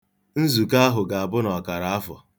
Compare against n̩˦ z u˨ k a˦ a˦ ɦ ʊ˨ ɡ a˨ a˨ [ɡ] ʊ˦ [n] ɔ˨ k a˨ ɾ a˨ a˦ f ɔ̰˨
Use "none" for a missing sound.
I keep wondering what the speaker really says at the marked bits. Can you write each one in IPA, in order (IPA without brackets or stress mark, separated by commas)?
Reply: b, n